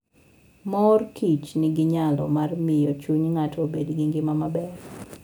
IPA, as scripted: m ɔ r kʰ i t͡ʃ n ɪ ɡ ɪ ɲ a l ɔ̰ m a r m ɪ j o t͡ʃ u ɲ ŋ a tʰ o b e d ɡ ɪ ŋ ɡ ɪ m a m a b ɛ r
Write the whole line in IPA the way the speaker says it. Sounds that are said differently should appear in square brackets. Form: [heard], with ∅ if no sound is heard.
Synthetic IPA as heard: m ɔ r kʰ i t͡ʃ n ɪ ɡ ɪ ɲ a l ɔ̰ m a r m ɪ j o t͡ʃ u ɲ ŋ a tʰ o b e d ɡ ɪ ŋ ɡ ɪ m a m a b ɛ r